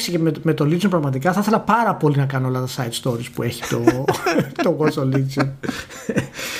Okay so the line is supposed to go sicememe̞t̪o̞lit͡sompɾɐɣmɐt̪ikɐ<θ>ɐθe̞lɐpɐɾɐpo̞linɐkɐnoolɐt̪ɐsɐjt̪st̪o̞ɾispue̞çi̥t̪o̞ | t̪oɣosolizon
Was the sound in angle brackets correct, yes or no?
yes